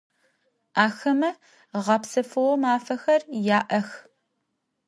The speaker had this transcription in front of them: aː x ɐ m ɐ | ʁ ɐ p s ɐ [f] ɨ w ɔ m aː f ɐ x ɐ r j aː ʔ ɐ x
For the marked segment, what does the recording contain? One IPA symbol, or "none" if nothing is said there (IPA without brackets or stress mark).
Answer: f